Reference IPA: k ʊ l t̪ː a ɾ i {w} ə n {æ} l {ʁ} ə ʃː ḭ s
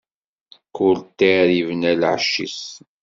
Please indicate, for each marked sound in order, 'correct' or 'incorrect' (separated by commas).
incorrect, correct, incorrect